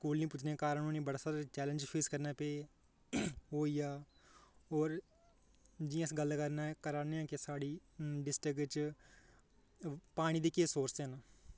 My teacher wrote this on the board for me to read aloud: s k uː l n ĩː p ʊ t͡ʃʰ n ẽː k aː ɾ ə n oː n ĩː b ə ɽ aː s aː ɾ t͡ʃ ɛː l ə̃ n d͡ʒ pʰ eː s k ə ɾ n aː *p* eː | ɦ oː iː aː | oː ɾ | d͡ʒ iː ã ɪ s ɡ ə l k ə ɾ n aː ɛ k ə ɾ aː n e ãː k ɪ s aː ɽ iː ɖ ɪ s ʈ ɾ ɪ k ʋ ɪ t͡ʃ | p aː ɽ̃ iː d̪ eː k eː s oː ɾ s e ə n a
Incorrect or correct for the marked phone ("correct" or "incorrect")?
correct